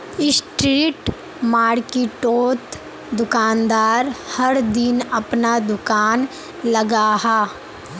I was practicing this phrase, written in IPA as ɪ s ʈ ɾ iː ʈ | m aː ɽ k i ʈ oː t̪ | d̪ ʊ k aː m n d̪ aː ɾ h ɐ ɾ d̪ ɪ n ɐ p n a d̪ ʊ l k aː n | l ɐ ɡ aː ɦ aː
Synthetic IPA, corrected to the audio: ɪ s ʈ ɾ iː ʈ | m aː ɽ k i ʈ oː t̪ | d̪ ʊ k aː n d̪ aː ɾ h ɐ ɾ d̪ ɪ n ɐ p n a d̪ ʊ k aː n | l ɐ ɡ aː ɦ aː